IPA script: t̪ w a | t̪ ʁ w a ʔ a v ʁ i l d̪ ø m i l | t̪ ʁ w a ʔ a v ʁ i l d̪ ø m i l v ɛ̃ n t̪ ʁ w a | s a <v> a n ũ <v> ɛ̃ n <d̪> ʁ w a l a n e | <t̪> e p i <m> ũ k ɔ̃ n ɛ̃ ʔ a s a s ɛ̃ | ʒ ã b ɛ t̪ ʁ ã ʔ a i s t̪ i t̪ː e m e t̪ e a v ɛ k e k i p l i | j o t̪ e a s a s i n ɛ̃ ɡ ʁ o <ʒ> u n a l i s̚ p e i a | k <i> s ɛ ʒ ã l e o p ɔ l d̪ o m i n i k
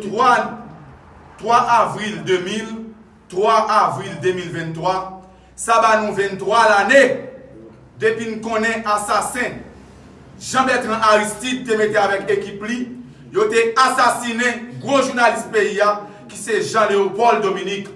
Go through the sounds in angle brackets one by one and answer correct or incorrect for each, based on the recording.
incorrect: b, correct, incorrect: t̪, incorrect: d̪, incorrect: n, correct, correct

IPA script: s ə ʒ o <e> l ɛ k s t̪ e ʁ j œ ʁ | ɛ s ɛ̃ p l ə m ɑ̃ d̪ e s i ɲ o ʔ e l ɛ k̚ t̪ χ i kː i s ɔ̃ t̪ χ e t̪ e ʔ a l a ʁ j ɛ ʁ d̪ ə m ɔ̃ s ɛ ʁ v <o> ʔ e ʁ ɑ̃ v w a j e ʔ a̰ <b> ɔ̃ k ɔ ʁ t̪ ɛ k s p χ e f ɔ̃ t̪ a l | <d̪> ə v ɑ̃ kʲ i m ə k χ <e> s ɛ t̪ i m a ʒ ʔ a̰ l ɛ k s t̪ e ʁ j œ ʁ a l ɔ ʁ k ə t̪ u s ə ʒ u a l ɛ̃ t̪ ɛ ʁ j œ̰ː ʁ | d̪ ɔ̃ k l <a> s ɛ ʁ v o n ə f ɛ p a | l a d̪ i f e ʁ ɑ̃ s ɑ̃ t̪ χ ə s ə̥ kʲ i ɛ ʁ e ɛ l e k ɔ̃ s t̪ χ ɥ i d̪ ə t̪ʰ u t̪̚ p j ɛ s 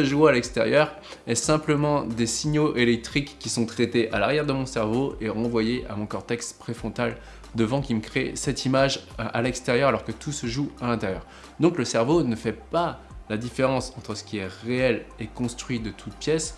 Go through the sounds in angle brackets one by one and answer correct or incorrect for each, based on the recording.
incorrect: a, correct, incorrect: m, correct, correct, incorrect: ə

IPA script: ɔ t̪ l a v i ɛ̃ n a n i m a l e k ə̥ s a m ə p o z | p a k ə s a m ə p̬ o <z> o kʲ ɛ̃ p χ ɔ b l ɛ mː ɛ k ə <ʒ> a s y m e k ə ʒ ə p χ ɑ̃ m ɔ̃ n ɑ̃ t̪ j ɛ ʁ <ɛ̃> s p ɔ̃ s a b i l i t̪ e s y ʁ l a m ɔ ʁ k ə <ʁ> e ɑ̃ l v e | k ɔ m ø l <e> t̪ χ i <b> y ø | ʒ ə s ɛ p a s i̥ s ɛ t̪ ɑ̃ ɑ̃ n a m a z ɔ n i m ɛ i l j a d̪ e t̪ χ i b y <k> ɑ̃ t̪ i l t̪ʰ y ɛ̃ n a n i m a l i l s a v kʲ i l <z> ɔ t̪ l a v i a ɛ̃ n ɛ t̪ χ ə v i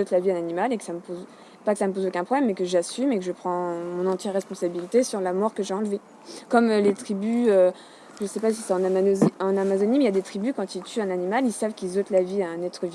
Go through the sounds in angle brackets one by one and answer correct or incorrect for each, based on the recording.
correct, correct, incorrect: ɛ, incorrect: ʒ, correct, correct, correct, correct

